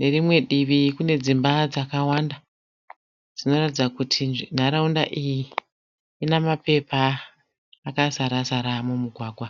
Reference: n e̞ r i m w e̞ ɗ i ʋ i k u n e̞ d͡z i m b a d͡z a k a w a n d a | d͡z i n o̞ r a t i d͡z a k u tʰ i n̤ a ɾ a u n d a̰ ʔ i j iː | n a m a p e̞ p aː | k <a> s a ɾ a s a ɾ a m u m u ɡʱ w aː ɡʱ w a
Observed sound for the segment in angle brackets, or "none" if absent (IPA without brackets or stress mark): a